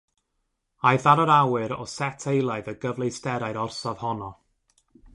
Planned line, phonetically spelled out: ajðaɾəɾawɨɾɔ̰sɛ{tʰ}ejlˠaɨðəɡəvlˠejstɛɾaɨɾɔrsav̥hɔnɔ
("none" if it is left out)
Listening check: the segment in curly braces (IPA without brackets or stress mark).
tʰ